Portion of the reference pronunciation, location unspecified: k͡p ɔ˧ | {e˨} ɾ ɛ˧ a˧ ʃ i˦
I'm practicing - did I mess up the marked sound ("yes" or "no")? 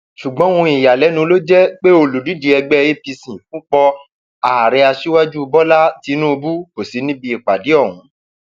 yes